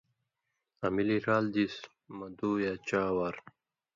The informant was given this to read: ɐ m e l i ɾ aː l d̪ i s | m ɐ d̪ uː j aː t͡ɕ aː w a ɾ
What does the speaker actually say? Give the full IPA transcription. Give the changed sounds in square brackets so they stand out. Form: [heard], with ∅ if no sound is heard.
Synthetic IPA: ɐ m [i] l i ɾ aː l d̪ i s | m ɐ d̪ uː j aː t͡ɕ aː w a ɾ